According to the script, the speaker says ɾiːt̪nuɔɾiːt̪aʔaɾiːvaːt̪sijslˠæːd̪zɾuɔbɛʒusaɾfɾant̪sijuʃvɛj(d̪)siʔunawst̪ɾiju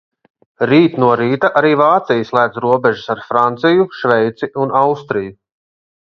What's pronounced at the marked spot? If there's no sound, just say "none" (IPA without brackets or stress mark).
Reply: t̪